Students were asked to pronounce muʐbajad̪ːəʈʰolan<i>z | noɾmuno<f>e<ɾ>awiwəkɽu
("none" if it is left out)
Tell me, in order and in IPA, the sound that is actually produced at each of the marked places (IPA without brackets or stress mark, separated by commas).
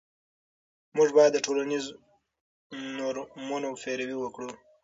i, f, ɾ